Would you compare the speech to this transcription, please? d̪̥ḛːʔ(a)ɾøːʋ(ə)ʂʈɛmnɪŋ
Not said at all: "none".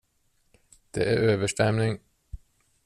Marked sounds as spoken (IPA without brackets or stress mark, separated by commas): æ, ə